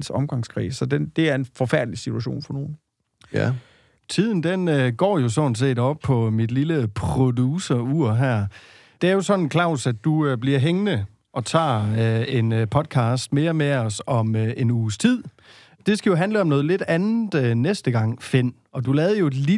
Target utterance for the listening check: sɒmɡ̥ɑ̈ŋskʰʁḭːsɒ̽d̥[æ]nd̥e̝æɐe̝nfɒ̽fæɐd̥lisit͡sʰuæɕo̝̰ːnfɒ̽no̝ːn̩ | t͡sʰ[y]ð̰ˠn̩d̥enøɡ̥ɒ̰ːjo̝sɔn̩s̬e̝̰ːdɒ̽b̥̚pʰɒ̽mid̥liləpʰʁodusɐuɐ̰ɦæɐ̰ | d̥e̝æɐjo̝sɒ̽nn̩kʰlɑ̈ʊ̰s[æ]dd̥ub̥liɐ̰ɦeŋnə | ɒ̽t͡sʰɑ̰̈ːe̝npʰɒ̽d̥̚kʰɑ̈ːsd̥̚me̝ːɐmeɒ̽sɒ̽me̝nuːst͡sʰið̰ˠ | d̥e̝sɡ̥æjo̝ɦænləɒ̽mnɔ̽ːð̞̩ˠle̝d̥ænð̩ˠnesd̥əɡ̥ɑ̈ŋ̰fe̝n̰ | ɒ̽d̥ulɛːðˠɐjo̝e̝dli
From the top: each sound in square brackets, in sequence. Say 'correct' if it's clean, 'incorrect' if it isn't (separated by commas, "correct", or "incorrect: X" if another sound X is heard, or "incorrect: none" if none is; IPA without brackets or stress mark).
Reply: incorrect: e, incorrect: i, correct